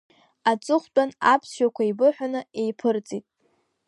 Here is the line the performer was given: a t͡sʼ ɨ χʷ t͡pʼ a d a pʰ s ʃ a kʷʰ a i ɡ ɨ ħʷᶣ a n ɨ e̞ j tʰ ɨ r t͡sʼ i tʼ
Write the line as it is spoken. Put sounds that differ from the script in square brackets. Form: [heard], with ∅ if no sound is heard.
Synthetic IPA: a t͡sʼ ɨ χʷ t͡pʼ a [n] a pʰ s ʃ a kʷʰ a i [b] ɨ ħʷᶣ a n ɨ e̞ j [pʰ] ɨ r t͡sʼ i tʼ